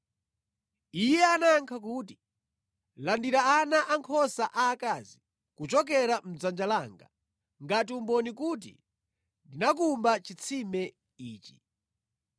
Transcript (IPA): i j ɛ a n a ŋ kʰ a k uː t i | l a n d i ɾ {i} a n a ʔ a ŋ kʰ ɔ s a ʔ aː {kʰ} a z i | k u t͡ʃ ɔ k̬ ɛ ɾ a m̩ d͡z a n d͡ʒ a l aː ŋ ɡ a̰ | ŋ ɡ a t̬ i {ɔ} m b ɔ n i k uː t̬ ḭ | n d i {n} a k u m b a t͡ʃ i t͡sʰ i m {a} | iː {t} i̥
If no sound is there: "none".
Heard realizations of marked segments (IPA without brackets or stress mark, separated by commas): a, k, u, n, ɛ, t͡ʃ